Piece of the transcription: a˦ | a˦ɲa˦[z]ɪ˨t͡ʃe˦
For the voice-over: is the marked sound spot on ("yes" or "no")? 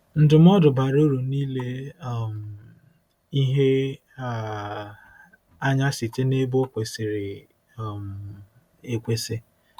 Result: no